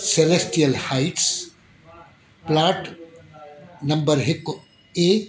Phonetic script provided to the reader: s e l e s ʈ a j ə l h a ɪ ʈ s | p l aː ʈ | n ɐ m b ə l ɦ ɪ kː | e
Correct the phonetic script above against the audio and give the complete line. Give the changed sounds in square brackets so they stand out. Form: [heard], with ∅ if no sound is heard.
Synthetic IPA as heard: s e l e s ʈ [i] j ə l h a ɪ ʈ s | p l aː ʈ | n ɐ m b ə [ɾ] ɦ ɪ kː | e